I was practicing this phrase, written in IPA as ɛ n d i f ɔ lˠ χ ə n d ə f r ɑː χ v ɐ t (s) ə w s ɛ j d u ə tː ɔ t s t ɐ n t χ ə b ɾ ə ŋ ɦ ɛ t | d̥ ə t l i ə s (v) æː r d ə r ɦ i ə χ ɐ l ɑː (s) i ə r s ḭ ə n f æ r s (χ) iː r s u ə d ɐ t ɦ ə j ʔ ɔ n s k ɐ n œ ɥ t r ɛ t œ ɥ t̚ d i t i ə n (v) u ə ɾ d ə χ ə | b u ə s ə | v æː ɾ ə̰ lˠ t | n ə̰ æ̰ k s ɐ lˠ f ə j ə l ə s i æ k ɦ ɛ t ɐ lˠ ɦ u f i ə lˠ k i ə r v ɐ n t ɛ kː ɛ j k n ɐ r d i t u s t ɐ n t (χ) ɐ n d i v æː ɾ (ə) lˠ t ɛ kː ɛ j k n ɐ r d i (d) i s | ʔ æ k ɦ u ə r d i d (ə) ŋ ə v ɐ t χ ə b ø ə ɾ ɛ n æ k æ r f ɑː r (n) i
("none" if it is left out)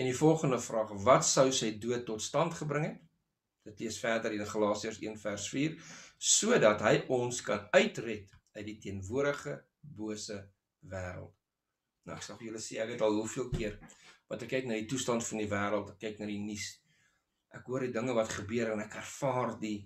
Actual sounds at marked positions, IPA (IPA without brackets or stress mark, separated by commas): s, f, s, f, v, f, ə, n, ə, d